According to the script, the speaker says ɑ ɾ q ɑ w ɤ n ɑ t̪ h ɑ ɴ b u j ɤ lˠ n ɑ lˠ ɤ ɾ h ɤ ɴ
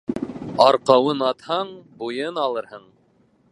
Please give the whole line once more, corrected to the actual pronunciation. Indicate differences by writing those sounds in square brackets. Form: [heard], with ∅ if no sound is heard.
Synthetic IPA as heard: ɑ ɾ q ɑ w ɤ n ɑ t̪ h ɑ ɴ b u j ɤ [∅] n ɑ lˠ ɤ ɾ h ɤ ɴ